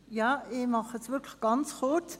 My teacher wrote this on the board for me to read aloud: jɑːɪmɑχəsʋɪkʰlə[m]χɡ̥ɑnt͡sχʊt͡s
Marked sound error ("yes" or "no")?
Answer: yes